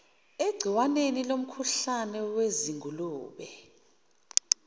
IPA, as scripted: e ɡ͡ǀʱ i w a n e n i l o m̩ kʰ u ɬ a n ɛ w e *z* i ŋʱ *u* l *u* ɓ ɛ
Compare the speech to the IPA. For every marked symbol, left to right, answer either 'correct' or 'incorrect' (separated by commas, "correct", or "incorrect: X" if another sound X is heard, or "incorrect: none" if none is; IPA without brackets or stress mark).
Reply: correct, correct, incorrect: uː